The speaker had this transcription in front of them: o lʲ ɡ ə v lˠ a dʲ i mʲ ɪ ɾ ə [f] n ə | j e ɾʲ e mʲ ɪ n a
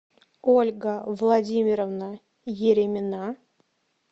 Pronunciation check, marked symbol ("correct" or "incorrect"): incorrect